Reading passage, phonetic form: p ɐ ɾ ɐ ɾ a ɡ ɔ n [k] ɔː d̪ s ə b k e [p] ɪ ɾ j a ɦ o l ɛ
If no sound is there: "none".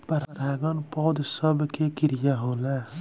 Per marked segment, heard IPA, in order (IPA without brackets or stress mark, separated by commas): p, k